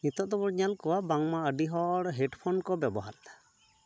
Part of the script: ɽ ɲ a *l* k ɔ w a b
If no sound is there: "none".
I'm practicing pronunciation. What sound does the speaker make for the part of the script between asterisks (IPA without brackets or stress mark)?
l